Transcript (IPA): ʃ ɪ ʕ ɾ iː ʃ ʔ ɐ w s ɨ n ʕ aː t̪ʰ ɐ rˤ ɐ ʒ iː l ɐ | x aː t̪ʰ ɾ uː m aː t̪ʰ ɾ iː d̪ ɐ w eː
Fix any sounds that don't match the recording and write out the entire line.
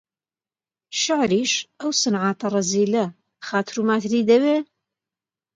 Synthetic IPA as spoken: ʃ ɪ ʕ ɾ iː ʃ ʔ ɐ w s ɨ n ʕ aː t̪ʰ ɐ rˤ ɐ z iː l ɐ | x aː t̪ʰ ɾ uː m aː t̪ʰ ɾ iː d̪ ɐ w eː